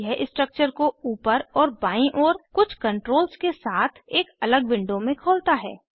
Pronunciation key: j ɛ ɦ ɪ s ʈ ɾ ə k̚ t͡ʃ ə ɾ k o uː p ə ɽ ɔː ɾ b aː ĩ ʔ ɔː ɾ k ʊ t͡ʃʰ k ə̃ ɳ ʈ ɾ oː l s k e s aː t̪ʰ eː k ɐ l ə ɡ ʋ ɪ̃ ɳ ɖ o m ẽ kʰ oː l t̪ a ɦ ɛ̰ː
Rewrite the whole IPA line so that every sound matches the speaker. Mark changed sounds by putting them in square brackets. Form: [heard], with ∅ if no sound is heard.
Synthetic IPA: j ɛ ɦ ɪ s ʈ ɾ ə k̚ t͡ʃ ə ɾ k o uː p ə [ɾ] ɔː ɾ b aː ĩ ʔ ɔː ɾ k ʊ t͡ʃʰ k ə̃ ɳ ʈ ɾ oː l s k e s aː t̪ʰ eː k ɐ l ə ɡ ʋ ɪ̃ ɳ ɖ o m ẽ kʰ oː l t̪ a ɦ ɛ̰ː